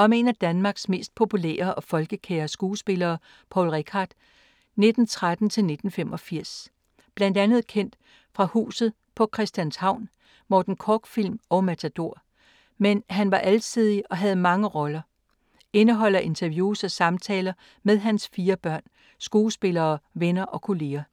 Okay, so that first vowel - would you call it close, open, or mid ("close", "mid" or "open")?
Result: open